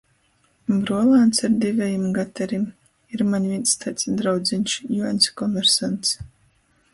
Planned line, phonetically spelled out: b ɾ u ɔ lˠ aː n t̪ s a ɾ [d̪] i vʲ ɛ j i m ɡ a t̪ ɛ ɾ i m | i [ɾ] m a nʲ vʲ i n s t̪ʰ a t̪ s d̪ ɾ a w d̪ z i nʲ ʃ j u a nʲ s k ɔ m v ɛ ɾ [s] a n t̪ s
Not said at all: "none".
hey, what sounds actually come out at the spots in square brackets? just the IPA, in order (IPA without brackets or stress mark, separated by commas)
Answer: d̪, ɾ, s